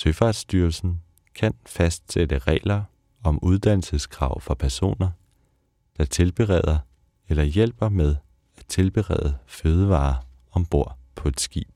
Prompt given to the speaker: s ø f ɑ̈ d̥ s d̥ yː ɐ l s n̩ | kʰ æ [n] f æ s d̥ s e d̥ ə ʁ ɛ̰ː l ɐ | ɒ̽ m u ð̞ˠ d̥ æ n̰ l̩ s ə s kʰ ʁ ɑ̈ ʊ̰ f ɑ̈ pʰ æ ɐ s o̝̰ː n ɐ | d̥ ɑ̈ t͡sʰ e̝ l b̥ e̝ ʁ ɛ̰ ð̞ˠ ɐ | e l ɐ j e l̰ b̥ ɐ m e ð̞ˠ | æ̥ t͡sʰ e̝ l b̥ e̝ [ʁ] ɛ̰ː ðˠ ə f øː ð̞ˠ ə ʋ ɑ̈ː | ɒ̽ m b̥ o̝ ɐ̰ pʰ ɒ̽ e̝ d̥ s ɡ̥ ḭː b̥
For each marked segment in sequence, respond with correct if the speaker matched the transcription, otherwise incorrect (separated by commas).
correct, correct